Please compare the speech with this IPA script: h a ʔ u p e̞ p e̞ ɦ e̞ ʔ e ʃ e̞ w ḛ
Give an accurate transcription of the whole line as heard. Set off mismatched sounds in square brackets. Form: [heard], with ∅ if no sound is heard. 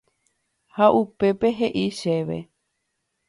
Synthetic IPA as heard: h a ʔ u p e̞ p e̞ ɦ e̞ ʔ [i] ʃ e̞ [ʋ] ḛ